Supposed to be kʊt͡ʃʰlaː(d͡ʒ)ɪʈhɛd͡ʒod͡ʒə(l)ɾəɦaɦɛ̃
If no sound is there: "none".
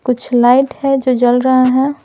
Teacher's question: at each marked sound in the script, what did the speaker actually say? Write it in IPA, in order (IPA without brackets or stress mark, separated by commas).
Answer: none, l